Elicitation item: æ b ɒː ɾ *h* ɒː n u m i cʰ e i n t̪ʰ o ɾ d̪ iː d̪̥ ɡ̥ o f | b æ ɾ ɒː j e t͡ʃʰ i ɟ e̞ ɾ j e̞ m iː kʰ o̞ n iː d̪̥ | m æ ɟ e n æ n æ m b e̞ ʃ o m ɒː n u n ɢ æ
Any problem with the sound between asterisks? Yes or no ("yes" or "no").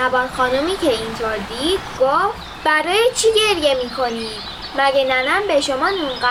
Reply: yes